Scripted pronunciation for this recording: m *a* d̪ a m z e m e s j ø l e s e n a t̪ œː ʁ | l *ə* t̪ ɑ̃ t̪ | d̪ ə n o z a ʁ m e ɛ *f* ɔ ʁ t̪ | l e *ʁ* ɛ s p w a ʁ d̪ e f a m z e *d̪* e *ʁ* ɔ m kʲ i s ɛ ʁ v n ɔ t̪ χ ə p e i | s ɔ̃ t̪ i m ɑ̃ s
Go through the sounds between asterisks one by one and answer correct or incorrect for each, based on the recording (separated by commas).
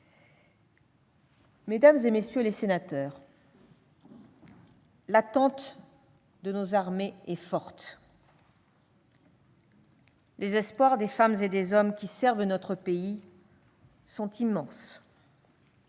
incorrect, incorrect, correct, incorrect, correct, incorrect